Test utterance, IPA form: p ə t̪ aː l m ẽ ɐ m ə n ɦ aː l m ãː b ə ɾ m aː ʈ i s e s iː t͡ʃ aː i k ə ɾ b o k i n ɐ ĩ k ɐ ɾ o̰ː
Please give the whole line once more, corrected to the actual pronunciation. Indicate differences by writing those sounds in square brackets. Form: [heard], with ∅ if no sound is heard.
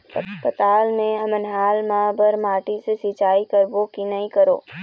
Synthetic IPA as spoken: p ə t̪ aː l m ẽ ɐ m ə n ɦ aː l m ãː b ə ɾ m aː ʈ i s e s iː t͡ʃ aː i k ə ɾ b o k i n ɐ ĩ k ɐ ɾ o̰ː